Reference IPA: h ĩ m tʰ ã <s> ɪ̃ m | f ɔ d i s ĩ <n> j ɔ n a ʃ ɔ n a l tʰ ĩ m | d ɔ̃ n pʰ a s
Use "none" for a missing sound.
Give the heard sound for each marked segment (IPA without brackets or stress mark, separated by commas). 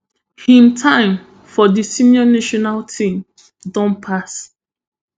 none, n